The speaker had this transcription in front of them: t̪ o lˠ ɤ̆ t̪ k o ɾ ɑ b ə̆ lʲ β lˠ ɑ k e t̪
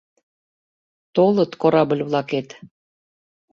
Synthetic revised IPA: t̪ o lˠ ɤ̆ t̪ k o ɾ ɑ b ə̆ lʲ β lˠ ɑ k e t̪